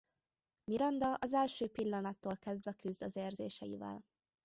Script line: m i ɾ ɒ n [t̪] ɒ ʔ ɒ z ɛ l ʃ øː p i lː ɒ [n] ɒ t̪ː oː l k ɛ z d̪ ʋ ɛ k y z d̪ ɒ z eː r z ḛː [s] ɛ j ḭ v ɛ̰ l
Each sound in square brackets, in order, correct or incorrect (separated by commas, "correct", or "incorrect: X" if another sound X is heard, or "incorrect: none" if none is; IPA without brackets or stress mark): incorrect: d̪, correct, incorrect: ʃ